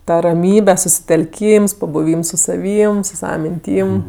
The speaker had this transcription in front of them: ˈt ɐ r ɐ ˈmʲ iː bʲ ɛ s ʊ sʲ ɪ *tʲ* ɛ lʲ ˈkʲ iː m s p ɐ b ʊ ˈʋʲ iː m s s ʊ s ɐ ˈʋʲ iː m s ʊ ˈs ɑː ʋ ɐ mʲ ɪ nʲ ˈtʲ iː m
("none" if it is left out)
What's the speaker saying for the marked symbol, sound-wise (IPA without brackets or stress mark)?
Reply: tʲ